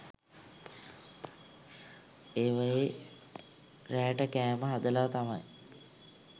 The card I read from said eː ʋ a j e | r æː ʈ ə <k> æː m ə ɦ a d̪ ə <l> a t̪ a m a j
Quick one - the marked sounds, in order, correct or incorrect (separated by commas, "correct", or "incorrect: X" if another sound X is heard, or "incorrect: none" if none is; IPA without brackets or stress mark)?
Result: correct, correct